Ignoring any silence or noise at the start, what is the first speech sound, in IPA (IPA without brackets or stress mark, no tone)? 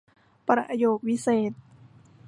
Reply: p